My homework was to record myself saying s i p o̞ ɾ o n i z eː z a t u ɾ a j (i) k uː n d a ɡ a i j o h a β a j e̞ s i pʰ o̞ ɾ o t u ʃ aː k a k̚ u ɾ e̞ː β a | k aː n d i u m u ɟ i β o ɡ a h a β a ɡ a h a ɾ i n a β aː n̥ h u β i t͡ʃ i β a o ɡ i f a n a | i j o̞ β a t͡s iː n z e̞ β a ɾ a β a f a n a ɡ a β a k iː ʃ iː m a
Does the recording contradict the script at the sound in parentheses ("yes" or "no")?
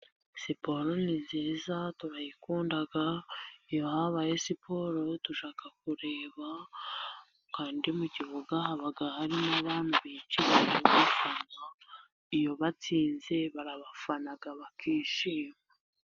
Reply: no